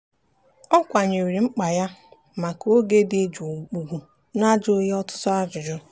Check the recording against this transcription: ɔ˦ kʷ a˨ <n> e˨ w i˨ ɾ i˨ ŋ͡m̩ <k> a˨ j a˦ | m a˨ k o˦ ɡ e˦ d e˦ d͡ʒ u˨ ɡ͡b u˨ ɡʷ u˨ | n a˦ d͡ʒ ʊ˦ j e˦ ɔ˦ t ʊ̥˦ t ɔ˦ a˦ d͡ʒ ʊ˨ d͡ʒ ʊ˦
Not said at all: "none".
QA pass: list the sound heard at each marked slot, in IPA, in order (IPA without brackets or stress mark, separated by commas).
ɲ, k͡p